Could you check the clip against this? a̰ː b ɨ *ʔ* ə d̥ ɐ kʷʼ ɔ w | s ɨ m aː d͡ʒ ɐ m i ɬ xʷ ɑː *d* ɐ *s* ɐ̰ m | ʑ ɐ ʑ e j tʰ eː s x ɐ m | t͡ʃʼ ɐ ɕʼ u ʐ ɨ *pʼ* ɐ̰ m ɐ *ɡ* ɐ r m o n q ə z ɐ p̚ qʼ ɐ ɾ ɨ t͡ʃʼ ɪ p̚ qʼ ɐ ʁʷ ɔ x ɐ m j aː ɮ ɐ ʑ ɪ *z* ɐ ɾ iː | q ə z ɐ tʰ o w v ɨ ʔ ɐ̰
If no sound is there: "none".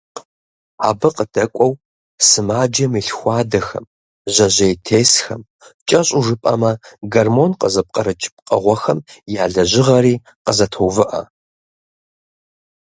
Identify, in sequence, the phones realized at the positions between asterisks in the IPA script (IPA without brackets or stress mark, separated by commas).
q, d, x, pʼ, ɡ, ʁ